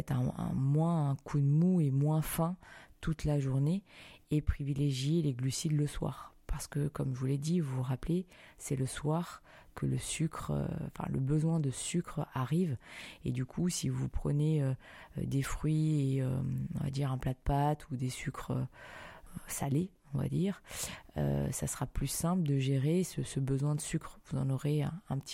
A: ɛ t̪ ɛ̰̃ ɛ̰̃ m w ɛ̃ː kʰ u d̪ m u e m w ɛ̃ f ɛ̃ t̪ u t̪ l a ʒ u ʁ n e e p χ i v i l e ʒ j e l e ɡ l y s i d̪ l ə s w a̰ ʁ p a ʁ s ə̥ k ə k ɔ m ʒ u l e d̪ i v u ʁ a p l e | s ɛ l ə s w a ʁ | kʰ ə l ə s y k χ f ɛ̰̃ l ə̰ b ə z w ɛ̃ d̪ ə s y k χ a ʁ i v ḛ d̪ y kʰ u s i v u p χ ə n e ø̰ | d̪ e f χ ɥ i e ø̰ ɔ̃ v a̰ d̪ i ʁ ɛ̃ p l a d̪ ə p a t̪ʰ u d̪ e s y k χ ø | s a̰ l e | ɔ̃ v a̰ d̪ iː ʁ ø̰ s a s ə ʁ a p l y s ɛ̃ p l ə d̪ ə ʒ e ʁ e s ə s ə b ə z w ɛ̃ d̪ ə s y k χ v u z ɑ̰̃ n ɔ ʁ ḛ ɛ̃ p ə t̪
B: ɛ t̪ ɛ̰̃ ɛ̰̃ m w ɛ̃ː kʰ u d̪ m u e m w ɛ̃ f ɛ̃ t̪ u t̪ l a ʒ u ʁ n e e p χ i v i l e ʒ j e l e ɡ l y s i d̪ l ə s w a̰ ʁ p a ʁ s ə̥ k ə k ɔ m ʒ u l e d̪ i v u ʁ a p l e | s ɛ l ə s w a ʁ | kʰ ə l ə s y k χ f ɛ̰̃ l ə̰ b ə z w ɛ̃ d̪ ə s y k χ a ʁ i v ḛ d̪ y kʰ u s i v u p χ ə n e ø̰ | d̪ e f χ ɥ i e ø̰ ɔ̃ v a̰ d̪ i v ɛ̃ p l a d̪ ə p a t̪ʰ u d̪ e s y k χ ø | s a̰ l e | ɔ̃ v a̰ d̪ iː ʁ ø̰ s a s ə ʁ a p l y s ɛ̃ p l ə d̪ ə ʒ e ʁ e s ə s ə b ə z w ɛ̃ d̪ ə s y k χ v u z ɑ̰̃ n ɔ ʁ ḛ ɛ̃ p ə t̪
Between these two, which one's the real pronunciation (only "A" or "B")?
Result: A